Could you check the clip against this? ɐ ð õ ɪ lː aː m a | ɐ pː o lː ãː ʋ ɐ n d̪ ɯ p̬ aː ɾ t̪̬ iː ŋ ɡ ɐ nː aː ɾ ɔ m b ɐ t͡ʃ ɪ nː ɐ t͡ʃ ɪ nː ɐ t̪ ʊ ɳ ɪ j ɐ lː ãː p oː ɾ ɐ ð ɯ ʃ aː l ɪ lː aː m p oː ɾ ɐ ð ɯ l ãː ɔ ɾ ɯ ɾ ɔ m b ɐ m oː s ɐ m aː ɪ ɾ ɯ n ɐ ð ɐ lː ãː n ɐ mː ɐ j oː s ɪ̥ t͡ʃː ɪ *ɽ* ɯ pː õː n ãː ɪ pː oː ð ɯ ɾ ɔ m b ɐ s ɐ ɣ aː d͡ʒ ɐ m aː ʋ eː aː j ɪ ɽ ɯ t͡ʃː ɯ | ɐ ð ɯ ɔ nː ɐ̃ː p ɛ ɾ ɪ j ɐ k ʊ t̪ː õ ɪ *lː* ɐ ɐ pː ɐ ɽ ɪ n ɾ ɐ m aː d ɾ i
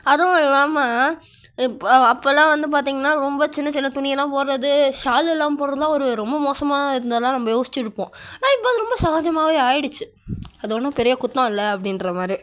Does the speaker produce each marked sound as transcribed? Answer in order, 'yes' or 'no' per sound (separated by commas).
yes, yes